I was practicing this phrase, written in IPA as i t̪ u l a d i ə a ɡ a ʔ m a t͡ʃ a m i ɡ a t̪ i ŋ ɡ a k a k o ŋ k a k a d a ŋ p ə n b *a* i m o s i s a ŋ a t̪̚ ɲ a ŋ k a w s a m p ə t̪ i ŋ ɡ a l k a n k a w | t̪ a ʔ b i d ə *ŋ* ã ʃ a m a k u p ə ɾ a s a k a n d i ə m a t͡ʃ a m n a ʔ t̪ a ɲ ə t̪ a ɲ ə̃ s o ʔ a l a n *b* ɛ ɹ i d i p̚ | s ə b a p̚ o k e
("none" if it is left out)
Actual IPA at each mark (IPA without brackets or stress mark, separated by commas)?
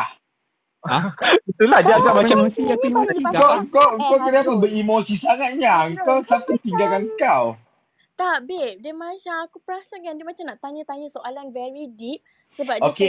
ə, m, v